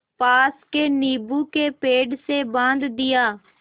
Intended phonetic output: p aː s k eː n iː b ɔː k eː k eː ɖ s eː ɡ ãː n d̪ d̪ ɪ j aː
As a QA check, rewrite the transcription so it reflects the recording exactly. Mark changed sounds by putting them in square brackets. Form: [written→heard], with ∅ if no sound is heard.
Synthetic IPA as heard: p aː s k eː n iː b [ɔː→uː] k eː [k→p] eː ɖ s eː [ɡ→b] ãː n d̪ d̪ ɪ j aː